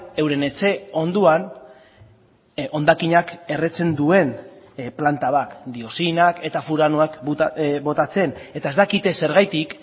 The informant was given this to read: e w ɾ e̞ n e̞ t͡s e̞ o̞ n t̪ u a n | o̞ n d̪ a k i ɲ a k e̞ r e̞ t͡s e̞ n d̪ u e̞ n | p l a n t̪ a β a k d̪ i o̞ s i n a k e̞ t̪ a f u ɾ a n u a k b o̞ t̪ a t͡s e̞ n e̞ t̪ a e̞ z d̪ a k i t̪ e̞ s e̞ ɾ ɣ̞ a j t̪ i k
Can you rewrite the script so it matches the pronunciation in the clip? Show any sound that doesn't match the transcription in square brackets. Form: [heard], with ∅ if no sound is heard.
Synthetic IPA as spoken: e w ɾ e̞ n e̞ t͡s e̞ o̞ n [d̪] u a n | o̞ n d̪ a k i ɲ a k e̞ r e̞ t͡s e̞ n d̪ u e̞ n | p l a n t̪ a β a k d̪ i o̞ s i n a k e̞ t̪ a f u ɾ a n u a k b o̞ t̪ a t͡s e̞ n e̞ t̪ a e̞ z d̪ a k i t̪ e̞ s e̞ ɾ ɣ̞ a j t̪ i k

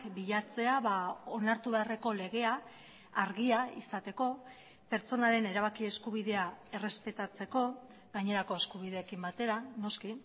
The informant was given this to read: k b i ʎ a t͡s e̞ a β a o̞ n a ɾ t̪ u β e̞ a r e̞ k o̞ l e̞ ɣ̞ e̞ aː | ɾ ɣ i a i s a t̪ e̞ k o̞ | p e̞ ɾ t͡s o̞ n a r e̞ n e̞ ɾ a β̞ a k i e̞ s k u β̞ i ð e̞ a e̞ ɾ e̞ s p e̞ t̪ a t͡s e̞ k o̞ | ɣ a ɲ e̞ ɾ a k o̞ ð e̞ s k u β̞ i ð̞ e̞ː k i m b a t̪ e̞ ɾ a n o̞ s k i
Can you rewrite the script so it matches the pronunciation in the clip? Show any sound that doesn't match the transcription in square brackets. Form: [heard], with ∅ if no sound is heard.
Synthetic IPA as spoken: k b i ʎ a t͡s e̞ a β a o̞ n a ɾ t̪ u β e̞ a r e̞ k o̞ l e̞ ɣ̞ e̞ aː | ɾ ɣ i a i s a t̪ e̞ k o̞ | p e̞ ɾ t͡s o̞ n a [ɾ] e̞ n e̞ ɾ a β̞ a k i e̞ s k u β̞ i ð e̞ a e̞ [r] e̞ s p e̞ t̪ a t͡s e̞ k o̞ | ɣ a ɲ e̞ ɾ a k o̞ [∅] e̞ s k u β̞ i ð̞ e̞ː k i m b a t̪ e̞ ɾ a n o̞ s k i

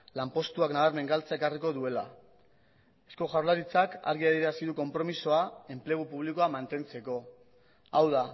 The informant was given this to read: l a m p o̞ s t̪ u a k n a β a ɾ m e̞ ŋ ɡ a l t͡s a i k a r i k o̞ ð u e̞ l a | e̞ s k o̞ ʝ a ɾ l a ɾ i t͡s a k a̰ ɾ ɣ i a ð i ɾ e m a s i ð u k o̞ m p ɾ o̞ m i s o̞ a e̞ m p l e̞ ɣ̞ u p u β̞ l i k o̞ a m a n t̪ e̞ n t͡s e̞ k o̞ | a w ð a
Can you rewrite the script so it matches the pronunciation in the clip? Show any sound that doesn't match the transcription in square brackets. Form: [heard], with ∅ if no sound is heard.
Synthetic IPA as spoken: l a m p o̞ s t̪ u a k n a β a ɾ m e̞ ŋ ɡ a l t͡s a [e] k a r i k o̞ ð u e̞ l a | e̞ s k o̞ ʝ a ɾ l a ɾ i t͡s a k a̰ ɾ ɣ i a ð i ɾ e [∅] a s i ð u k o̞ m p ɾ o̞ m i s o̞ a e̞ m p l e̞ ɣ̞ u p u β̞ l i k o̞ a m a n t̪ e̞ n t͡s e̞ k o̞ | a w ð a

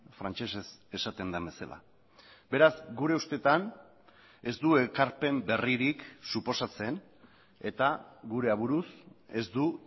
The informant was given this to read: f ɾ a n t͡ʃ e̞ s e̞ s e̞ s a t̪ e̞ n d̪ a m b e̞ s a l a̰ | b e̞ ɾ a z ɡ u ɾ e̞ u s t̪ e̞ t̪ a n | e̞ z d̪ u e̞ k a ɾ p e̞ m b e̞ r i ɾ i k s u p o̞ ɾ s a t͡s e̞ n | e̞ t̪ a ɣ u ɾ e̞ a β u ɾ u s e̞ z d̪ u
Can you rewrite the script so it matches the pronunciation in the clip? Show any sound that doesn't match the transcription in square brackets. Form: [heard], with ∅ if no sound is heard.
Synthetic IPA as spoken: f ɾ a n t͡ʃ e̞ s e̞ s e̞ s a t̪ e̞ n d̪ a m b e̞ s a l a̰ | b e̞ ɾ a z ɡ u ɾ e̞ u s t̪ e̞ t̪ a n | e̞ z d̪ u e̞ k a ɾ p e̞ m b e̞ r i ɾ i k s u p o̞ [∅] s a t͡s e̞ n | e̞ t̪ a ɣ u ɾ e̞ a β u ɾ u s e̞ z d̪ u

